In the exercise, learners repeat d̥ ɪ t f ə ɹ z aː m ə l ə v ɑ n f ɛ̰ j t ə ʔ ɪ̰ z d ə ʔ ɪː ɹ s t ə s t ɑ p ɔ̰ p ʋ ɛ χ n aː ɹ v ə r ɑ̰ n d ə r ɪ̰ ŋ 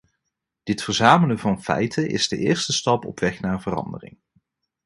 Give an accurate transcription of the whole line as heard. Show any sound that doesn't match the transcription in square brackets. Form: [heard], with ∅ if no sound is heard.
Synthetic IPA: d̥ ɪ t f ə ɹ z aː m ə l ə v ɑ n f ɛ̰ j t ə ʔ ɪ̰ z d ə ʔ ɪː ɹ s t ə s t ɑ p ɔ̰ p ʋ ɛ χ n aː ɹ v ə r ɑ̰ n d ə r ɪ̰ ŋ